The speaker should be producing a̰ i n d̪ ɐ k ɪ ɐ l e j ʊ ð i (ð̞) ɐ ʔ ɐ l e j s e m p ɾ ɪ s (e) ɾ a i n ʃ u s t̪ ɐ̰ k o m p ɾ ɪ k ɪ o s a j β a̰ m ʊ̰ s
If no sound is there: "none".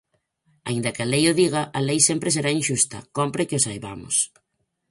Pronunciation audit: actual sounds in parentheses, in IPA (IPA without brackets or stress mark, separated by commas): ɣ̞, e